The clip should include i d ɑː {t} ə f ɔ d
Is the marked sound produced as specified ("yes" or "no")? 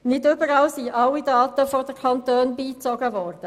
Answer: yes